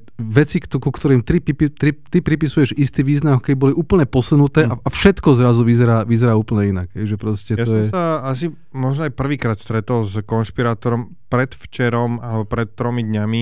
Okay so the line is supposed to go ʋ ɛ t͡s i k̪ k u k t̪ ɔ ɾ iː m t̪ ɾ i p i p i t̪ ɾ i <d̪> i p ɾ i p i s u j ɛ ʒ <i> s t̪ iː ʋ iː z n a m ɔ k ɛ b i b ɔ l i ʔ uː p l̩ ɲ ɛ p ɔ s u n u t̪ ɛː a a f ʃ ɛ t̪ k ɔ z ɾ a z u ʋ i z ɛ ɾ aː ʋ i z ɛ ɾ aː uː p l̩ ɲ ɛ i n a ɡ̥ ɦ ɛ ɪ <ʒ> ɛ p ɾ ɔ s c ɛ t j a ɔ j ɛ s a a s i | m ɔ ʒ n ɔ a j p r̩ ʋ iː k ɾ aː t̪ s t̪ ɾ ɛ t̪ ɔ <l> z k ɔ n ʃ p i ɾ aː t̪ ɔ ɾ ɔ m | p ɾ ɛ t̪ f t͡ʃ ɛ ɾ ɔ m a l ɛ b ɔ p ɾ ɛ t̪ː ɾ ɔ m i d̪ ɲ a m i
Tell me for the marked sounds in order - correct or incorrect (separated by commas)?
incorrect, correct, correct, correct